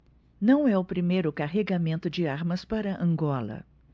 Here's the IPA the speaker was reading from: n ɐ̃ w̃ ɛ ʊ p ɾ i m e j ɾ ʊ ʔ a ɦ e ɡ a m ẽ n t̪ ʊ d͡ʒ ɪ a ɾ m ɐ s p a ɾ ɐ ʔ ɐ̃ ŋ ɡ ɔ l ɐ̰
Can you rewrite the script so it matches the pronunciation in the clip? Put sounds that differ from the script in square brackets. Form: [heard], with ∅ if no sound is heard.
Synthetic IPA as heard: n ɐ̃ w̃ ɛ ʊ p ɾ i m e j ɾ ʊ [k] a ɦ e ɡ a m ẽ n t̪ ʊ d͡ʒ ɪ a ɾ m ɐ s p a ɾ ɐ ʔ ɐ̃ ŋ ɡ ɔ l ɐ̰